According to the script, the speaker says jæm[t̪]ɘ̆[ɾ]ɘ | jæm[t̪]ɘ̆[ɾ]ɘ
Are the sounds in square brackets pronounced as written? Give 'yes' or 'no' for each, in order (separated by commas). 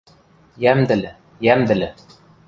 no, no, no, no